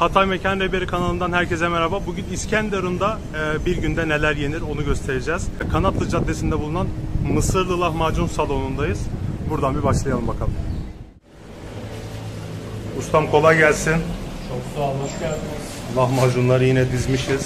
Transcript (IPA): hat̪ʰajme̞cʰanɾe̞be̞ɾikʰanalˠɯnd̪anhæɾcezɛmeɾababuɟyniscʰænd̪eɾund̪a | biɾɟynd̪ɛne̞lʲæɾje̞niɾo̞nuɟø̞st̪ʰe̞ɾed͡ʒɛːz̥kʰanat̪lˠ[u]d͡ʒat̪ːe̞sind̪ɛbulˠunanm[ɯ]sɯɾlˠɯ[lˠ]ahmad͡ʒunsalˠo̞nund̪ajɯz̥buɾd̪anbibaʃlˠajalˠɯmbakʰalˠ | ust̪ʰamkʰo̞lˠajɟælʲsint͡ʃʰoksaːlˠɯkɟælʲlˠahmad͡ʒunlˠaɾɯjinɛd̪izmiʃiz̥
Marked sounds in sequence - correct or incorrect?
incorrect, correct, correct

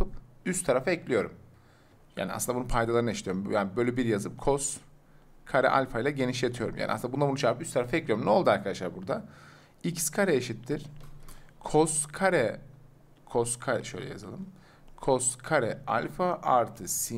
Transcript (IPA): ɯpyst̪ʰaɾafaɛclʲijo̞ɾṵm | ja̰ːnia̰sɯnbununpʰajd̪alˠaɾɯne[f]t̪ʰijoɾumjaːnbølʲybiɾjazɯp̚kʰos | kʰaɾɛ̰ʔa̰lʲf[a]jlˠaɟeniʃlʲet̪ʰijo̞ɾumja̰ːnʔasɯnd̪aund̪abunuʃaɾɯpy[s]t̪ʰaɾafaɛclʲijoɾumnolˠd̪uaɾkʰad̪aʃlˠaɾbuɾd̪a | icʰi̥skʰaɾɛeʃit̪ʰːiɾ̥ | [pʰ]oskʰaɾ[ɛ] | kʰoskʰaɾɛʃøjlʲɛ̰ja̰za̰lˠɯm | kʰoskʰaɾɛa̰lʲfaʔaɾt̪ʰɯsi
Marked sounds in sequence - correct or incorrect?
incorrect, correct, correct, incorrect, correct

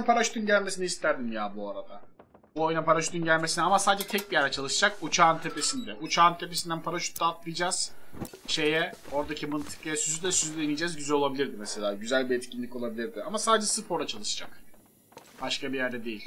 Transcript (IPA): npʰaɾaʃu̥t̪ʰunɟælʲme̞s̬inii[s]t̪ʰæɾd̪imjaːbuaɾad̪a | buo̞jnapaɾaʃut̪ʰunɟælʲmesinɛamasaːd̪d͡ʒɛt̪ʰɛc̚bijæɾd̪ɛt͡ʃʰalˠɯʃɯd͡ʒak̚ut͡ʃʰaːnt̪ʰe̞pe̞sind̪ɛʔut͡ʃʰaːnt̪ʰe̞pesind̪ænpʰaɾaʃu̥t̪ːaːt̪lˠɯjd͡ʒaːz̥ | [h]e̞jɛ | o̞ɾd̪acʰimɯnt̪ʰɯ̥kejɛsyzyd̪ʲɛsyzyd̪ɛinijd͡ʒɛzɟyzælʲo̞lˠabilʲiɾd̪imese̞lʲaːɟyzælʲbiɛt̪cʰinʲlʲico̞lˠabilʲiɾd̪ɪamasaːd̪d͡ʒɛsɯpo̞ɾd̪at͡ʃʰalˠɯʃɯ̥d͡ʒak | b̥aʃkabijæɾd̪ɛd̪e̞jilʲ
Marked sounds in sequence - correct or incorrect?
correct, incorrect

